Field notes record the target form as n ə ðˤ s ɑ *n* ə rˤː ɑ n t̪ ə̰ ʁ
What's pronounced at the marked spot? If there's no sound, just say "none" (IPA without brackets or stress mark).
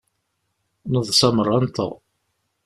m